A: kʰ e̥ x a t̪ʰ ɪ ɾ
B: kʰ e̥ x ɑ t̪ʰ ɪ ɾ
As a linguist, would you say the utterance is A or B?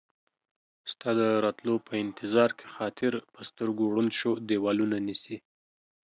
B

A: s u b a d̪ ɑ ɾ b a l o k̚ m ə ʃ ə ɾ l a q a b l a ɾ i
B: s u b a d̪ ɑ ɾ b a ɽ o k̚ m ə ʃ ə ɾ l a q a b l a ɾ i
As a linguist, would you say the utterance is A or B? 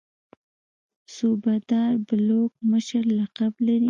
A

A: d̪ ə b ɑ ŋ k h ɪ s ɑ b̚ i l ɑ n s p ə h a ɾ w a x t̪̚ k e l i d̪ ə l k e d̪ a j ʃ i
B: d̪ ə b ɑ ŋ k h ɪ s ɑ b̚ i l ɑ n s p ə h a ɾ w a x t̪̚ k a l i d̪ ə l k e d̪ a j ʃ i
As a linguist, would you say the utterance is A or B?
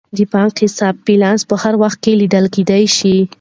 A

